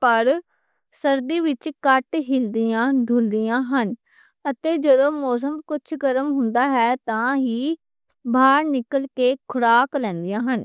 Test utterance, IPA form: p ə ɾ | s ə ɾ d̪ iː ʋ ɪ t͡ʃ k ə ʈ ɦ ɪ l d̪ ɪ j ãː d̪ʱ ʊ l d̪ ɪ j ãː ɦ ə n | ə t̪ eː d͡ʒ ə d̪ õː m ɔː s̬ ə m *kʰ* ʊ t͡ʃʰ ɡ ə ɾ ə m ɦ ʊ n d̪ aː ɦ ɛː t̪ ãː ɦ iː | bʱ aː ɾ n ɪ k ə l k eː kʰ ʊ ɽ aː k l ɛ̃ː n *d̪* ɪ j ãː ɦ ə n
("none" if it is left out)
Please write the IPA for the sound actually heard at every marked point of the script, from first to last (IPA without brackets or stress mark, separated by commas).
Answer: k, d̪